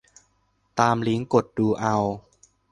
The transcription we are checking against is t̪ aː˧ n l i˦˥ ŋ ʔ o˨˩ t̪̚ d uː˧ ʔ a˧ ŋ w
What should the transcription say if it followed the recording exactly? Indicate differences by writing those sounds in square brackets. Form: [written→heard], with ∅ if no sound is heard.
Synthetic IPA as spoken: t̪ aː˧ [n→m] l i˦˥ ŋ [ʔ→k] o˨˩ t̪̚ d uː˧ ʔ a˧ [ŋ→∅] w